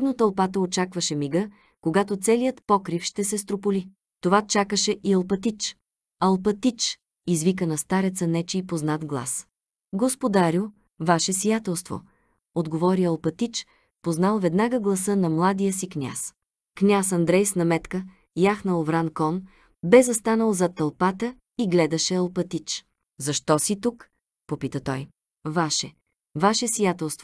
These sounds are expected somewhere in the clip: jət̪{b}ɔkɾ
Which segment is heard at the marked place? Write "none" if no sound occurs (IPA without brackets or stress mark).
p